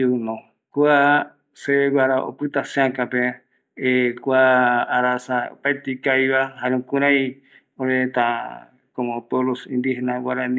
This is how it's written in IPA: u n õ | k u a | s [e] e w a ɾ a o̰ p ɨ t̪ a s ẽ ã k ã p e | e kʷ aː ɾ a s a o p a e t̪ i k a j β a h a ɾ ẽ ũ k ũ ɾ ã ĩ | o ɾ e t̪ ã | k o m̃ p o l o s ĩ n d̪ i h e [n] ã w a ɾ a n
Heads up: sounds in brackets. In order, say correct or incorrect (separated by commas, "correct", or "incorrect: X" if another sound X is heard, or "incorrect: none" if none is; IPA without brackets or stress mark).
correct, correct